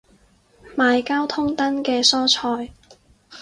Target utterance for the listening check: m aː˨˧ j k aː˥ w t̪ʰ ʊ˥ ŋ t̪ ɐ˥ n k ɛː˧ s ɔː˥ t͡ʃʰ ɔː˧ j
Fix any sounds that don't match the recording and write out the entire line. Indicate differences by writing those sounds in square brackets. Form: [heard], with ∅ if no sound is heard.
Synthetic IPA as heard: m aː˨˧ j k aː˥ w t̪ʰ ʊ˥ ŋ t̪ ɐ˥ n k ɛː˧ s ɔː˥ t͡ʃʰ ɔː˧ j